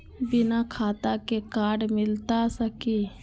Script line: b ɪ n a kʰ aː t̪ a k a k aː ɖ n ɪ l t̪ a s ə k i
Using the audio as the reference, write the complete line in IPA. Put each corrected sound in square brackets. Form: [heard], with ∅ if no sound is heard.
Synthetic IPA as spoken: b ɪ n a kʰ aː t̪ a k [e] k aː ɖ [m] ɪ l t̪ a s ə k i